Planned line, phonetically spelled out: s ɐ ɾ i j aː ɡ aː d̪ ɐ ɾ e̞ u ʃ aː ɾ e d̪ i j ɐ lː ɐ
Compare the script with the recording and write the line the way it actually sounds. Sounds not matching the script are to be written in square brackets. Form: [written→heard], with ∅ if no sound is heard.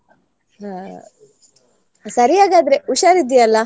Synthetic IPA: s ɐ ɾ i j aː ɡ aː d̪ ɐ ɾ e̞ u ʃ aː ɾ [e→i] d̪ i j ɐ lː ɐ